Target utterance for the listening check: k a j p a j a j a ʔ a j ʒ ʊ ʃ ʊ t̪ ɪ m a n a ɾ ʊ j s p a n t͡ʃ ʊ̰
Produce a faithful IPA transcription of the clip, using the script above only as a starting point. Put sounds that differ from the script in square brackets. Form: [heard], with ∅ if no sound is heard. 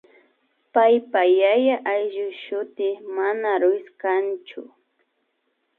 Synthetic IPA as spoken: [p] a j p a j a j a ʔ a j ʒ ʊ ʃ ʊ t̪ ɪ m a n a ɾ ʊ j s [k] a n t͡ʃ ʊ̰